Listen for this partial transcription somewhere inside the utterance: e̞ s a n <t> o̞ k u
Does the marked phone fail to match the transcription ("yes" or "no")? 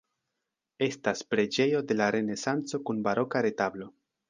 yes